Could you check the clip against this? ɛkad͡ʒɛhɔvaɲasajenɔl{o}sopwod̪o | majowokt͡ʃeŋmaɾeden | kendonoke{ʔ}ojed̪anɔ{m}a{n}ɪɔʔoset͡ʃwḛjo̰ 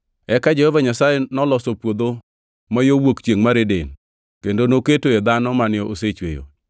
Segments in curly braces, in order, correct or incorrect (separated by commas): incorrect, incorrect, correct, correct